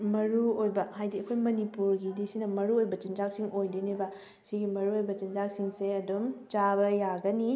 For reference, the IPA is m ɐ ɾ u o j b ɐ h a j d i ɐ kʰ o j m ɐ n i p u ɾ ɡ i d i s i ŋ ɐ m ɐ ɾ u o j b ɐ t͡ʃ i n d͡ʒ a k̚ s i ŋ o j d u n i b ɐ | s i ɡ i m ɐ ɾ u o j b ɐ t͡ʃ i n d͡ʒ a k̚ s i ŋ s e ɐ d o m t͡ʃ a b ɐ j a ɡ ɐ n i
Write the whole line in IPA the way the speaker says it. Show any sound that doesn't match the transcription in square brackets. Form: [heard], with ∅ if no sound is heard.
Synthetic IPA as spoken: m ɐ ɾ u o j b ɐ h a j d i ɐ kʰ o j m ɐ n i p u ɾ ɡ i d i s i [n] ɐ m ɐ ɾ u o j b ɐ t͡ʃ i n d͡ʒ a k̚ s i ŋ o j d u n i b ɐ | s i ɡ i m ɐ ɾ u o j b ɐ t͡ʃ i n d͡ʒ a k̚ s i ŋ s e ɐ d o m t͡ʃ a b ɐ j a ɡ ɐ n i